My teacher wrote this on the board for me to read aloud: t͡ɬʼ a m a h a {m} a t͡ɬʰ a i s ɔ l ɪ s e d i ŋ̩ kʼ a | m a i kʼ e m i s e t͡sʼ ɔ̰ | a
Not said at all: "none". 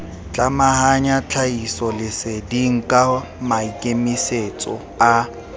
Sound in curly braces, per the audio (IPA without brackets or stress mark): ɲ